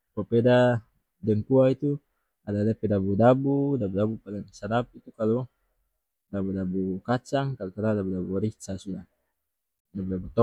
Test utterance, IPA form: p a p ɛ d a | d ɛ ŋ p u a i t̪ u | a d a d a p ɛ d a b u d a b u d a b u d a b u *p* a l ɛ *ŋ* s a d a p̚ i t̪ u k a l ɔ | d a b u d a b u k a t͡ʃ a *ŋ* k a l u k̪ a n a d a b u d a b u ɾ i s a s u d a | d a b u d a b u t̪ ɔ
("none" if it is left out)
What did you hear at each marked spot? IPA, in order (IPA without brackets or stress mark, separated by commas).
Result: p, ŋ, ŋ